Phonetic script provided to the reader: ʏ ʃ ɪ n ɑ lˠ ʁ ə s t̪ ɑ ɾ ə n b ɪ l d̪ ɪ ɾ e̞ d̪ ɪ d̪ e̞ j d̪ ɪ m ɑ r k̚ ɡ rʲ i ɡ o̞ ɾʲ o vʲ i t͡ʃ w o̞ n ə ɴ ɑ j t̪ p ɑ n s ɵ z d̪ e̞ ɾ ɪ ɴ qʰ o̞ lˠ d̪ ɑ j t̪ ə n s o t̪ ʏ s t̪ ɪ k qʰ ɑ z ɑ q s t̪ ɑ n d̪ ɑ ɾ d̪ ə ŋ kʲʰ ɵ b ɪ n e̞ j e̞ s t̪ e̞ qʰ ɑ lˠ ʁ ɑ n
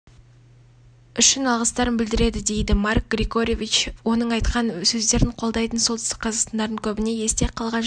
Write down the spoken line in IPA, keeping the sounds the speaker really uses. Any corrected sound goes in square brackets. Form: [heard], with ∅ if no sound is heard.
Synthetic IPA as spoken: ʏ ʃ ɪ n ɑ lˠ ʁ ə s t̪ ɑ ɾ ə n b ɪ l d̪ ɪ ɾ e̞ d̪ ɪ d̪ e̞ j d̪ ɪ m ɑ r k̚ ɡ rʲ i ɡ o̞ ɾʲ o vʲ i t͡ʃ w o̞ n ə ɴ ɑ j t̪ [q] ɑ n s ɵ z d̪ e̞ ɾ ɪ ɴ qʰ o̞ lˠ d̪ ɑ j t̪ ə n s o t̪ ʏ s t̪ ɪ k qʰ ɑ z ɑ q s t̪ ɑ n d̪ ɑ ɾ d̪ ə ŋ kʲʰ ɵ b ɪ n e̞ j e̞ s t̪ e̞ qʰ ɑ lˠ ʁ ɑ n